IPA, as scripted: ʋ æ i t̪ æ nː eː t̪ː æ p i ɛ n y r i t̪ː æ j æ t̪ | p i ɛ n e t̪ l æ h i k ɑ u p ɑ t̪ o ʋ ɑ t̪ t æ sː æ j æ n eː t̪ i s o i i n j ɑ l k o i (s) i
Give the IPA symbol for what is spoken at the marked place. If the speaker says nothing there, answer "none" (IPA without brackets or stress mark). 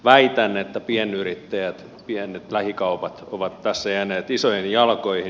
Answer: h